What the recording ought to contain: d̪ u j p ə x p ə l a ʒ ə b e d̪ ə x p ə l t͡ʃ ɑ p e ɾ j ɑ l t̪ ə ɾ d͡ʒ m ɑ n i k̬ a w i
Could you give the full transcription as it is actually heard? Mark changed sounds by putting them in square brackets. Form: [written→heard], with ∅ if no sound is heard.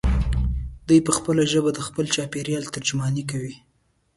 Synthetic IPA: d̪ u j p ə x p ə l a ʒ ə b [e→a] d̪ ə x p ə l t͡ʃ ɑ p e ɾ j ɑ l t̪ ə ɾ d͡ʒ m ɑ n i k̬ a w i